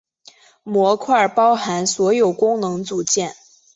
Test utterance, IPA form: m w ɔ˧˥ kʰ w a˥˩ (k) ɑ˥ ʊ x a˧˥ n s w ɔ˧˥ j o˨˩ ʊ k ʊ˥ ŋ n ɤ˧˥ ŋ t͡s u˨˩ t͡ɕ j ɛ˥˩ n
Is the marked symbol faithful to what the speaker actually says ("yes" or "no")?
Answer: no